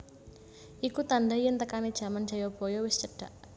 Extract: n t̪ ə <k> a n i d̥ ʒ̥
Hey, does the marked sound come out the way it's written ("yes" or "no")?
yes